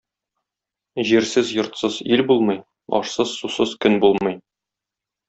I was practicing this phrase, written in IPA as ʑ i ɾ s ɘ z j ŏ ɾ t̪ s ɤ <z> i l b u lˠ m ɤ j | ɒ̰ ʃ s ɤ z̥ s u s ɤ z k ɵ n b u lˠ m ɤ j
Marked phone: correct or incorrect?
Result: correct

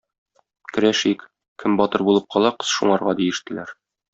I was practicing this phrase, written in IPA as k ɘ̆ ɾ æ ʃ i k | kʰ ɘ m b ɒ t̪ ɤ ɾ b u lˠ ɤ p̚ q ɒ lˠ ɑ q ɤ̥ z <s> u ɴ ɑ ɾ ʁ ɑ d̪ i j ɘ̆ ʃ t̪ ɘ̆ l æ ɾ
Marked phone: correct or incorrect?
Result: incorrect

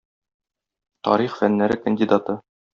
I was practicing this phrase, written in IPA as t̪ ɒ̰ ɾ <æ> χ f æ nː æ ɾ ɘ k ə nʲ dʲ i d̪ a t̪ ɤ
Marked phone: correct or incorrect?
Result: incorrect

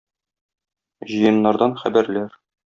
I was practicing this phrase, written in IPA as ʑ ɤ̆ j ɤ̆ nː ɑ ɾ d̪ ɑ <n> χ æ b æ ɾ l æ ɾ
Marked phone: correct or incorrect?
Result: correct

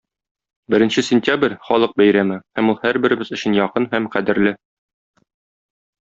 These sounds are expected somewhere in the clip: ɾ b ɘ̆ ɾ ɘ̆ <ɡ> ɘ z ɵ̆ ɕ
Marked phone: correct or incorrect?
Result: incorrect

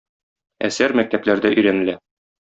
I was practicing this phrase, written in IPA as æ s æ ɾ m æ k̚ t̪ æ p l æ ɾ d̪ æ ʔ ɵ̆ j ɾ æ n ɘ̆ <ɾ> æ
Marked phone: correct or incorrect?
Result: incorrect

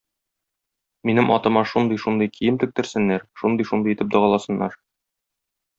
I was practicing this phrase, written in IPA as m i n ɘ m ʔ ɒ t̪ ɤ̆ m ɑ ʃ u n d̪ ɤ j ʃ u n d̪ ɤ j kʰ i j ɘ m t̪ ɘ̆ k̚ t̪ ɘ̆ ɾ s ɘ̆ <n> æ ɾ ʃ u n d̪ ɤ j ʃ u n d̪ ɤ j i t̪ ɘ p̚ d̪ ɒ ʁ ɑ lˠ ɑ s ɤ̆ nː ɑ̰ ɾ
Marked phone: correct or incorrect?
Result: incorrect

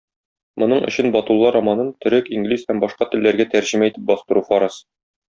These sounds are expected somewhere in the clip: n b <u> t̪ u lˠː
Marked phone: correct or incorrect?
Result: incorrect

